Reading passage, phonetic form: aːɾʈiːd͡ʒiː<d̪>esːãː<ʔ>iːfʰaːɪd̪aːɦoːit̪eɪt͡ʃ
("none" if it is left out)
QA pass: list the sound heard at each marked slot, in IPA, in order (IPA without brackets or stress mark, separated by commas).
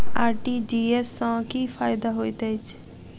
none, k